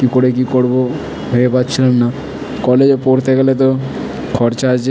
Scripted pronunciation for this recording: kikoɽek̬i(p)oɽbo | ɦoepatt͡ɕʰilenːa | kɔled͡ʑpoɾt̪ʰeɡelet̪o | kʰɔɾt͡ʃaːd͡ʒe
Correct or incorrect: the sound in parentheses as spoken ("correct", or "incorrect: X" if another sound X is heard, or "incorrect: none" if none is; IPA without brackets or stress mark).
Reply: incorrect: k